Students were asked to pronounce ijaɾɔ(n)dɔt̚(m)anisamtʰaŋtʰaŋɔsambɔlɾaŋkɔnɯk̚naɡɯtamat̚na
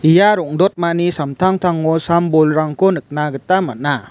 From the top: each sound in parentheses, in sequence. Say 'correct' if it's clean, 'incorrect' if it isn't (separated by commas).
incorrect, correct